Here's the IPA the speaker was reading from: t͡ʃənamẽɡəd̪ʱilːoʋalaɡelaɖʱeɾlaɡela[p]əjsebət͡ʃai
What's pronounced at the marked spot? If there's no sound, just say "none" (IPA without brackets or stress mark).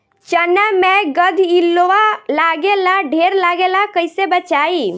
k